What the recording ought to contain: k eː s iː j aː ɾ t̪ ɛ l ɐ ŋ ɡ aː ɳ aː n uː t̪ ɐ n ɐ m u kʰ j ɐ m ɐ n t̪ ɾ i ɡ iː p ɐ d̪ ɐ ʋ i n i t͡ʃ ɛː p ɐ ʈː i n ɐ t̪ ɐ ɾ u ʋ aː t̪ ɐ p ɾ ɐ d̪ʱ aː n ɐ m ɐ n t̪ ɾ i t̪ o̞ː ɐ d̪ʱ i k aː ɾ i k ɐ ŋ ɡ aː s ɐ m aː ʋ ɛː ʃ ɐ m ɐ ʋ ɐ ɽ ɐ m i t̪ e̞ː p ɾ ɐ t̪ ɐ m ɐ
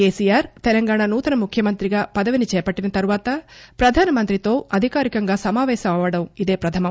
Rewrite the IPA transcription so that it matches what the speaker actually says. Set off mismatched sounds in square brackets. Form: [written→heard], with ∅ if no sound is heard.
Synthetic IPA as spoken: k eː s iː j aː ɾ t̪ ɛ l ɐ ŋ ɡ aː ɳ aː n uː t̪ ɐ n ɐ m u kʰ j ɐ m ɐ n t̪ ɾ i ɡ [iː→aː] p ɐ d̪ ɐ ʋ i n i t͡ʃ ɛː p ɐ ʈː i n ɐ t̪ ɐ ɾ u ʋ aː t̪ ɐ p ɾ ɐ d̪ʱ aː n ɐ m ɐ n t̪ ɾ i t̪ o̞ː ɐ d̪ʱ i k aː ɾ i k ɐ ŋ ɡ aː s ɐ m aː ʋ ɛː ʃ ɐ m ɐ ʋ ɐ ɽ ɐ m i [t̪→d̪] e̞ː p ɾ ɐ [t̪→t̪ʰ] ɐ m ɐ